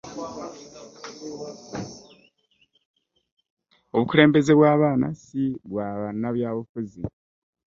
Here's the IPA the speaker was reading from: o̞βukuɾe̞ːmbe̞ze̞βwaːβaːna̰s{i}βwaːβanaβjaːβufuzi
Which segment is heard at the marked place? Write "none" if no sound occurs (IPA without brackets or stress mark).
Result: i